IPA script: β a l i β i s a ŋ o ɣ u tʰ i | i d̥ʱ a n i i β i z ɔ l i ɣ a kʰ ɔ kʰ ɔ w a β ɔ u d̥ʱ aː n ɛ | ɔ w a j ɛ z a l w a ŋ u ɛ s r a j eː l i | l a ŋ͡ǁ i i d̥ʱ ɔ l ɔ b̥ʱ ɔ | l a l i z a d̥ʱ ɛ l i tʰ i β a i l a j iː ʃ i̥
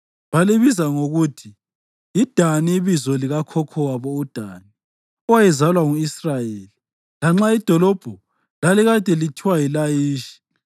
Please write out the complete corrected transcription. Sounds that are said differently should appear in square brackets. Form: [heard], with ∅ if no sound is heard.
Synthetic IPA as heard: β a l i β i [z] a ŋ o ɣ u tʰ i | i d̥ʱ a n i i β i z ɔ l i ɣ a kʰ ɔ kʰ ɔ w a β ɔ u d̥ʱ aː n [i] | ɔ w a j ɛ z a l w a ŋ u [i] s r a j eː l i | l a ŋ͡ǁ [a] i d̥ʱ ɔ l ɔ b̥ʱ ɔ | l a l i [ɣ] a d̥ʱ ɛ l i tʰ i [w] a i l a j iː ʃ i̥